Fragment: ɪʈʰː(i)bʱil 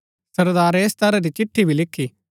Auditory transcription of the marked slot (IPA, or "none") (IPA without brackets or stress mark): i